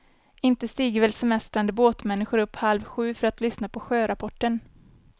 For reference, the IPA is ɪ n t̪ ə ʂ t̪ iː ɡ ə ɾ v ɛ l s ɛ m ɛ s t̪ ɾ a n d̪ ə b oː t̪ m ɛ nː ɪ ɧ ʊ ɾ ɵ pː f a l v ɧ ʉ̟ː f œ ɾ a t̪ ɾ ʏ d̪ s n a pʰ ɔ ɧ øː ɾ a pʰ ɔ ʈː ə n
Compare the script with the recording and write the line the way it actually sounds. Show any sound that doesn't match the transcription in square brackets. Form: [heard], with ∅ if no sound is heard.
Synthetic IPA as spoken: ɪ n t̪ ə [s] t̪ iː ɡ ə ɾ v ɛ l s ɛ m ɛ s t̪ ɾ a n d̪ ə b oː t̪ m ɛ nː ɪ ɧ ʊ ɾ ɵ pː [h] a l v ɧ ʉ̟ː f œ ɾ a t̪ [l] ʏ [∅] s n a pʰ ɔ ɧ øː ɾ a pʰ ɔ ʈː ə n